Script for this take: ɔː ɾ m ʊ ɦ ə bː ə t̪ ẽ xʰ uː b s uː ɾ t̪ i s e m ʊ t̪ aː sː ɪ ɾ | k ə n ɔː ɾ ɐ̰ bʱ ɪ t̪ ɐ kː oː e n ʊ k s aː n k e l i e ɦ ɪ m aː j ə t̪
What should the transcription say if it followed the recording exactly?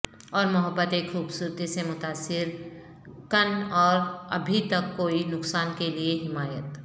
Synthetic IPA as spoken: ɔː ɾ m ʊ ɦ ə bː ə t̪ e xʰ uː b s uː ɾ t̪ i s e m ʊ t̪ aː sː ɪ ɾ | k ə n ɔː ɾ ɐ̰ bʱ i t̪ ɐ kː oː i n ʊ k s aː n k e l i e ɦ ɪ m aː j ə t̪

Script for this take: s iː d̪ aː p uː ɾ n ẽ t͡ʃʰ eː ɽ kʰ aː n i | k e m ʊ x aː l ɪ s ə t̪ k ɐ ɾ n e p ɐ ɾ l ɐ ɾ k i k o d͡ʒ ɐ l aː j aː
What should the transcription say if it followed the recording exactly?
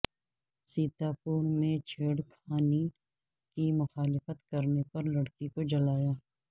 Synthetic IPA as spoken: s iː t̪ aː p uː ɾ m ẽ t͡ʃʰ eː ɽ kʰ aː n i | k i m ʊ x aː l ɪ f ə t̪ k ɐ ɾ n e p ɐ ɾ l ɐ ɽ k i k o d͡ʒ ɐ l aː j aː

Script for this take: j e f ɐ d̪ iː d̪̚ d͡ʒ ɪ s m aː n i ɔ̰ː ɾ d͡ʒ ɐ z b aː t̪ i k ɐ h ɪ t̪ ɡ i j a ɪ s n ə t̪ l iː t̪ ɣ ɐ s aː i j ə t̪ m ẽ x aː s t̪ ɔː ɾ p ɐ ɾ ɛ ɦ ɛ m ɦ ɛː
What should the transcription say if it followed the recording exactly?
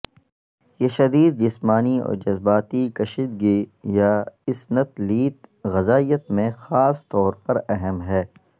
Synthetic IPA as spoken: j e ʃ ɐ d̪ iː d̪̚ d͡ʒ ɪ s m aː n i ɔ̰ː ɾ d͡ʒ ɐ z b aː t̪ i k ɐ ʃ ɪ d̪ ɡ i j a ɪ s n ə t̪ l iː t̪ ɣ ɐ z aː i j ə t̪ m ẽ x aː s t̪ ɔː ɾ p ɐ ɾ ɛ ɦ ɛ m ɦ ɛː

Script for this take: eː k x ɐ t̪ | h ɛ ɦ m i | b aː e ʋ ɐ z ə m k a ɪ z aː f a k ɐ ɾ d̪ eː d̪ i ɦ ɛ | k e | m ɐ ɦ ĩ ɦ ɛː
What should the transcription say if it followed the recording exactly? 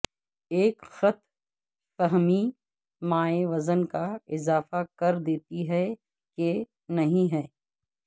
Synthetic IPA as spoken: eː k x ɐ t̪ | f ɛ ɦ m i | m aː e ʋ ɐ z ə n k a ɪ z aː f a k ɐ ɾ d̪ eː t̪ i ɦ ɛ | k e | n ɐ ɦ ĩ ɦ ɛː

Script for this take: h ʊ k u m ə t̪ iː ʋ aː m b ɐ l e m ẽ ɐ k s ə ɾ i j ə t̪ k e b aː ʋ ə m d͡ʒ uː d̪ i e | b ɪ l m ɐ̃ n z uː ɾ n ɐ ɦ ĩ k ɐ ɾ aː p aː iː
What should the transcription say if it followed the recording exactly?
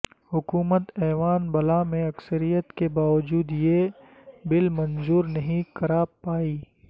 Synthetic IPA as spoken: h ʊ k uː m ə t̪ ɛː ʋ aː n b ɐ l a m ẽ ɐ k s ə ɾ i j ə t̪ k e b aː ʋ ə d͡ʒ uː d̪ j e | b ɪ l m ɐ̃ n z uː ɾ n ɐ ɦ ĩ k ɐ ɾ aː p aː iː

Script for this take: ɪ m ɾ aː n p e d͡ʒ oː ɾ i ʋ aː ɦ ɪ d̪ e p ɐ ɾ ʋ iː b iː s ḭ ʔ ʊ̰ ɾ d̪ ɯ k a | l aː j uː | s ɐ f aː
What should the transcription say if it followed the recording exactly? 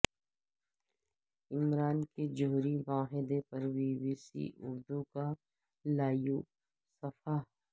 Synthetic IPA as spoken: ɪ m ɾ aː n k e d͡ʒ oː ɾ i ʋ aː ɦ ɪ d̪ e p ɐ ɾ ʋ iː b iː s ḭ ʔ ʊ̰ ɾ d̪ u k a | l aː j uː | s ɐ f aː

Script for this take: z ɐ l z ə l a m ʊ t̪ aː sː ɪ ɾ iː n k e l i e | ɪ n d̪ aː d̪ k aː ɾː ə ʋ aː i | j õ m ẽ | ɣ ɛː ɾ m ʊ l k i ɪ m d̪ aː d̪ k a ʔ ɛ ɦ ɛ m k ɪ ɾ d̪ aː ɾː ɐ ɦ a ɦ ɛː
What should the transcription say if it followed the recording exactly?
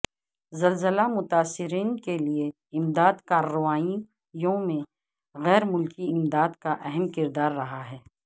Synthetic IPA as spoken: z ɐ l z ə l a m ʊ t̪ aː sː ɪ ɾ iː n k e l i e | ɪ m d̪ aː d̪ k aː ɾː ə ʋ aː i | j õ m ẽ | ɣ ɛː ɾ m ʊ l k i ɪ m d̪ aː d̪ k a ʔ ɛ ɦ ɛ m k ɪ ɾ d̪ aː ɾː ɐ ɦ a ɦ ɛː

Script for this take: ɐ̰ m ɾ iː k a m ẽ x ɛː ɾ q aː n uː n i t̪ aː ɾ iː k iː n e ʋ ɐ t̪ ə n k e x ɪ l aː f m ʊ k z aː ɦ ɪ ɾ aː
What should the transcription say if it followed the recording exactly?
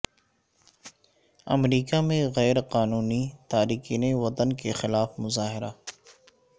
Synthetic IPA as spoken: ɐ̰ m ɾ iː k a m ẽ ɣ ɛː ɾ q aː n uː n i t̪ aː ɾ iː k iː n e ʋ ɐ t̪ ə n k e x ɪ l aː f m ʊ z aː ɦ ɪ ɾ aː

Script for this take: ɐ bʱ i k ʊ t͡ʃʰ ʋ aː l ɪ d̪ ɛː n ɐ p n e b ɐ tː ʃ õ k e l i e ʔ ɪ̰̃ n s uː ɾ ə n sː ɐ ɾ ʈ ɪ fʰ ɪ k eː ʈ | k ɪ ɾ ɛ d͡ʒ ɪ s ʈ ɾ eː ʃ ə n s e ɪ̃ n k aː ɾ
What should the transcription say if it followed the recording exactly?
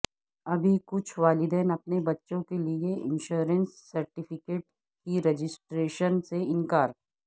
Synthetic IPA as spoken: ɐ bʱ i k ʊ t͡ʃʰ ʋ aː l ɪ d̪ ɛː n ɐ p n e b ɐ tː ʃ õ k e l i e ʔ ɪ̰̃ n ʃ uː ɾ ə n sː ɐ ɾ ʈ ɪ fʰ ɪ k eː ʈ | k i ɾ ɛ d͡ʒ ɪ s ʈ ɾ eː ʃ ə n s e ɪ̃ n k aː ɾ

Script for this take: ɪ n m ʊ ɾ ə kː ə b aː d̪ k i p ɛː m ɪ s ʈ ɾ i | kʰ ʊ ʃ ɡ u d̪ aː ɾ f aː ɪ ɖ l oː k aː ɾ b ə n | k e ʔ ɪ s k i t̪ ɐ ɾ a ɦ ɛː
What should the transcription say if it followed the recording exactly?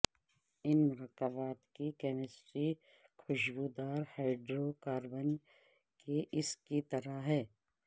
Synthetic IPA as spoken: ɪ n m ʊ ɾ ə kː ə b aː t̪ k i k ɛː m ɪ s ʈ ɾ i | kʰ ʊ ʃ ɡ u d̪ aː ɾ h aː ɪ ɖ ɾ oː k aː ɾ b ə n | k e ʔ ɪ s k i t̪ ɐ ɾ a ɦ ɛː

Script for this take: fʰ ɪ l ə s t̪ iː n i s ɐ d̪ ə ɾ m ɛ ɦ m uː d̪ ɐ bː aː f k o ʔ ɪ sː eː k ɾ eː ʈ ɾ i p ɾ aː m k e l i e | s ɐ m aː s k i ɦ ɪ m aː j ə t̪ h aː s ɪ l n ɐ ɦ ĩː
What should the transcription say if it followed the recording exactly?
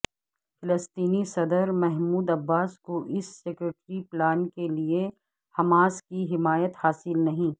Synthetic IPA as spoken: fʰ ɪ l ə s t̪ iː n i s ɐ d̪ ə ɾ m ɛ ɦ m uː d̪ ɐ bː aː s k o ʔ ɪ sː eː k ɾ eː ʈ ɾ i p l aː n k e l i e | h ɐ m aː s k i ɦ ɪ m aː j ə t̪ h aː s ɪ l n ɐ ɦ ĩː

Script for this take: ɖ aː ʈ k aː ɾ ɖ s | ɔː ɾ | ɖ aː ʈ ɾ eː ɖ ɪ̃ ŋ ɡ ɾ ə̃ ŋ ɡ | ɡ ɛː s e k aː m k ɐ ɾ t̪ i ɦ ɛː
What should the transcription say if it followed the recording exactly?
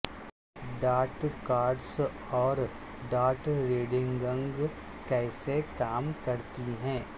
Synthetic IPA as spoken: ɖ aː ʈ k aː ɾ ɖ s | ɔː ɾ | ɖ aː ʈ ɾ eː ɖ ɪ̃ ŋ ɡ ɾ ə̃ ŋ ɡ | k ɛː s e k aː m k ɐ ɾ t̪ i ɦ ɛ̃ː

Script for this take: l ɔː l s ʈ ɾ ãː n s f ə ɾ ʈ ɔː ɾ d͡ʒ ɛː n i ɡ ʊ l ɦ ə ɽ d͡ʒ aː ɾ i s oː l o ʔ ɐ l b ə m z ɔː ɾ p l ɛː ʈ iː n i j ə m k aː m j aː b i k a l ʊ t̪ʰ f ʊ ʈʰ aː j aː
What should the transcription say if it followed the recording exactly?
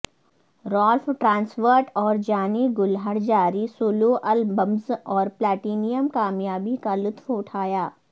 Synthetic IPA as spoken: ɾ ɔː l f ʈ ɾ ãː n s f ə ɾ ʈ ɔː ɾ d͡ʒ aː n i ɡ ʊ l ɦ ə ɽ d͡ʒ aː ɾ i s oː l o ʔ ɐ l b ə m z ɔː ɾ p l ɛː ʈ iː n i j ə m k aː m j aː b i k a l ʊ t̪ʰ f ʊ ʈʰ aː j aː

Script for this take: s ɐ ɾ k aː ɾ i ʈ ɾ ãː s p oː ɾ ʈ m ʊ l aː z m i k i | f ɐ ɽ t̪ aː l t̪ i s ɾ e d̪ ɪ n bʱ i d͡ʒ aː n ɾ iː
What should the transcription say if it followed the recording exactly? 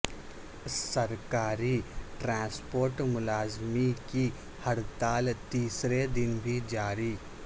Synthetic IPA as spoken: s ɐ ɾ k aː ɾ i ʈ ɾ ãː s p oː ɾ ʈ m ʊ l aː z m i k i | h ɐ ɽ t̪ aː l t̪ iː s ɾ e d̪ ɪ n bʱ i d͡ʒ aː ɾ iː

